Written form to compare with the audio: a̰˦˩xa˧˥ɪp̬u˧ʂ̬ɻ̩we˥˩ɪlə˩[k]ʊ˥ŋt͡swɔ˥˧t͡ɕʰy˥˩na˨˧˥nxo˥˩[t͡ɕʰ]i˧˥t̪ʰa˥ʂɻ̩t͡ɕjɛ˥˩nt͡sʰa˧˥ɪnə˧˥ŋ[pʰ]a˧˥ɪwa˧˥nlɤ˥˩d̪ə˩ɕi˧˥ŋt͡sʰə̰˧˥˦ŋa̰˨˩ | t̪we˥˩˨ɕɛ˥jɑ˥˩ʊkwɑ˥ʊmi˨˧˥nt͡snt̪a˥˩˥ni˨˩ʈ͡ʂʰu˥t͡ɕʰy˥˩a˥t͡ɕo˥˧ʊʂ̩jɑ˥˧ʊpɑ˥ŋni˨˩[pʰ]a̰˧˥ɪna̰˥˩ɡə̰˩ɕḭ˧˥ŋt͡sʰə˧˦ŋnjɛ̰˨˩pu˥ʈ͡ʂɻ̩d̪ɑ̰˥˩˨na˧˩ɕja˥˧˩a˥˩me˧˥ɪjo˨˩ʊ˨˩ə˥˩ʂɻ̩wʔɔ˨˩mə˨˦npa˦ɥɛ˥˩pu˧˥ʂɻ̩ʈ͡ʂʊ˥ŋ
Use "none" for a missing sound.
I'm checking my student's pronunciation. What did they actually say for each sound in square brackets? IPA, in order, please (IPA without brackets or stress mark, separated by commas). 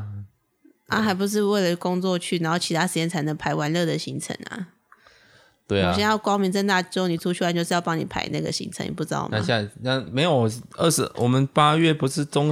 k, t͡ɕʰ, pʰ, pʰ